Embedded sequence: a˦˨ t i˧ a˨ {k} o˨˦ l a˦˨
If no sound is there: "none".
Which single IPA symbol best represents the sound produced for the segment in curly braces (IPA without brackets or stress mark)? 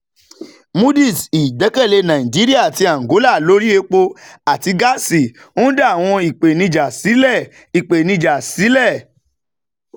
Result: ɡ